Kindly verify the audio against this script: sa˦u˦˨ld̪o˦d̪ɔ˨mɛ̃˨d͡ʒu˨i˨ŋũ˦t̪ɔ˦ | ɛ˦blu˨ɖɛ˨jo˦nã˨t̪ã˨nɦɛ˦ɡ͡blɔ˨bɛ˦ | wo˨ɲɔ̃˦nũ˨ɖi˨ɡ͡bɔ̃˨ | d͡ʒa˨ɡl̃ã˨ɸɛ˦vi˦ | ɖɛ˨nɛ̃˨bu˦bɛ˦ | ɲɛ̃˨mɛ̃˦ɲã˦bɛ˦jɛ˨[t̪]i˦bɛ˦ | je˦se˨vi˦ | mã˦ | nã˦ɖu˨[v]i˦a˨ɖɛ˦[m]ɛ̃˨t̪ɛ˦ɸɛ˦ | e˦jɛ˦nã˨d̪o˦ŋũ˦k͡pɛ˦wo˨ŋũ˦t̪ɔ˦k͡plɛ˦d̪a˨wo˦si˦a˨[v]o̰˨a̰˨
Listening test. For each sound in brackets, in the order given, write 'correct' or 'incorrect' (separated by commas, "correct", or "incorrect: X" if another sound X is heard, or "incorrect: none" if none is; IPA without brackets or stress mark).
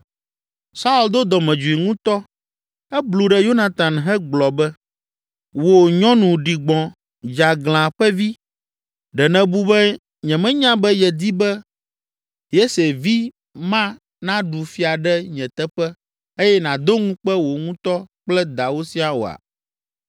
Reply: incorrect: d̪, incorrect: f, incorrect: ɲ, incorrect: w